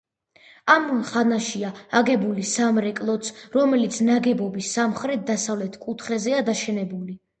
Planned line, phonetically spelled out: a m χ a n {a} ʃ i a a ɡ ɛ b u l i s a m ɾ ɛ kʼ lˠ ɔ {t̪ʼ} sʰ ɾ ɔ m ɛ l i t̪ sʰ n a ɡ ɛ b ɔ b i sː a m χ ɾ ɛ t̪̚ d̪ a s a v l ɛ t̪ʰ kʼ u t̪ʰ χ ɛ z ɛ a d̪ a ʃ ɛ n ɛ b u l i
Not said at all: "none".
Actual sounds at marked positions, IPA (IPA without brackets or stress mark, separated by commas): a, t̪